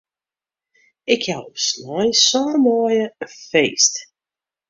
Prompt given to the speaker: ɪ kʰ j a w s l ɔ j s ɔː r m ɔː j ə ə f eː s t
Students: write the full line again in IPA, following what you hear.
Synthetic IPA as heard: ɪ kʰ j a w s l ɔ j s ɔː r m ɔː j ə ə f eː s t